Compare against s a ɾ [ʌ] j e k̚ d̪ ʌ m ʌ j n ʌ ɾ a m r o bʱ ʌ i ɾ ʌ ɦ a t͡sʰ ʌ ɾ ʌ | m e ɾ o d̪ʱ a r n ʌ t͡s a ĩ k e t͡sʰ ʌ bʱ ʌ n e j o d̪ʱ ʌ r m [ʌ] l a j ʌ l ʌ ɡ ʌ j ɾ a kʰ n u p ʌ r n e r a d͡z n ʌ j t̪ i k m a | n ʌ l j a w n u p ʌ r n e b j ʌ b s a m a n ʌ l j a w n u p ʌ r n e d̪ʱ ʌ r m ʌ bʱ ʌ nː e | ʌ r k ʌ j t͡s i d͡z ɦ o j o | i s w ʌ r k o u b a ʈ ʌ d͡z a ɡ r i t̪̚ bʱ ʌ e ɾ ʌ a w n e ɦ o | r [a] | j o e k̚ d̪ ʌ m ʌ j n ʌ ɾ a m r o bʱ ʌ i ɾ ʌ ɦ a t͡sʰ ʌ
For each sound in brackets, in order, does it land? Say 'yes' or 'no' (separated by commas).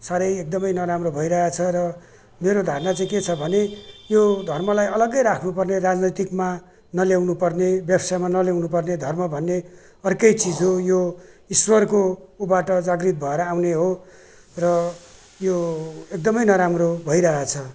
yes, yes, no